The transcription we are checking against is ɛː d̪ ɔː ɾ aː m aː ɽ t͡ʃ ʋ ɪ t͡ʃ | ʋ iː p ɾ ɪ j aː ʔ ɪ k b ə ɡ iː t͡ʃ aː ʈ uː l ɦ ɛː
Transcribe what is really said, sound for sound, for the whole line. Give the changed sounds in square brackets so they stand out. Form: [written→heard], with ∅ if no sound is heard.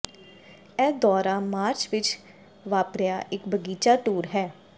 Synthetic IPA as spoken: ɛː d̪ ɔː ɾ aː m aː [ɽ→ɾ] t͡ʃ ʋ ɪ t͡ʃ | ʋ [iː→aː] p ɾ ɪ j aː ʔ ɪ k b ə ɡ iː t͡ʃ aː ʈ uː [l→ɾ] ɦ ɛː